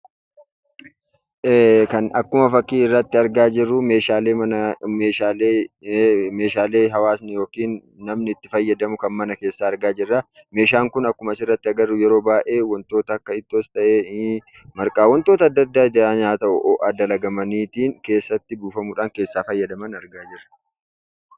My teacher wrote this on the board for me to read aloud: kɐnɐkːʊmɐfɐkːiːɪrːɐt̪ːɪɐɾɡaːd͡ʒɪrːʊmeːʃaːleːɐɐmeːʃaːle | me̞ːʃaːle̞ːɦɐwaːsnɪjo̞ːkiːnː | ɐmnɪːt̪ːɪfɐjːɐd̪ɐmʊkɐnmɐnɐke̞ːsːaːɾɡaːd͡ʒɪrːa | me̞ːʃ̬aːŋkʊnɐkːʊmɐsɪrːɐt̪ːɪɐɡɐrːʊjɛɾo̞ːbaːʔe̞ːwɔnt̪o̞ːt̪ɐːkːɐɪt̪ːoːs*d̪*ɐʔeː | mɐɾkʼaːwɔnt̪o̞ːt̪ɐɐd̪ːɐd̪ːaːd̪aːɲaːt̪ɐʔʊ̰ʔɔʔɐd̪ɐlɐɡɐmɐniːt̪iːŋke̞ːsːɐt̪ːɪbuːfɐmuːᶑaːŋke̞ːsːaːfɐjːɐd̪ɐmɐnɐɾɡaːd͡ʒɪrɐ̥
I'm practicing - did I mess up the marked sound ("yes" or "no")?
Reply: yes